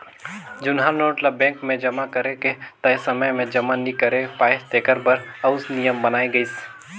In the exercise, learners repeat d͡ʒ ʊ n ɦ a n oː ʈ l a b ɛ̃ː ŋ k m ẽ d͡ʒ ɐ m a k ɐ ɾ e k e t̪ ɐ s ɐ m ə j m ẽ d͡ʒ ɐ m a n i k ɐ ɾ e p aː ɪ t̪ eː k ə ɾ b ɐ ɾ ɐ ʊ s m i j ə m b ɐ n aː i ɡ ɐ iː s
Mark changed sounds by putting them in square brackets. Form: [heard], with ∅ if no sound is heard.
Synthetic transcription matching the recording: d͡ʒ ʊ n ɦ a n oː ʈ l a b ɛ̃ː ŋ k m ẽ d͡ʒ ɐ m a k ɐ ɾ e k e t̪ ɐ s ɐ m ə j m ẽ d͡ʒ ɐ m a n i k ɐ ɾ e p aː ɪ t̪ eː k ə ɾ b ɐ ɾ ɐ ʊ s [n] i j ə m b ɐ n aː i ɡ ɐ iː s